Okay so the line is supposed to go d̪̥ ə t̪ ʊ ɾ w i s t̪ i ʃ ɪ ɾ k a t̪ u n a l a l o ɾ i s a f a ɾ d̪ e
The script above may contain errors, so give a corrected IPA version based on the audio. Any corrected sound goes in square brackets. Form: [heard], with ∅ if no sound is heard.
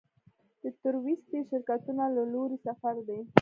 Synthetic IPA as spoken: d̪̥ ə t̪ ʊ ɾ w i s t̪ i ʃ ɪ ɾ k a t̪ u n a l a l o ɾ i s a f a ɾ d̪ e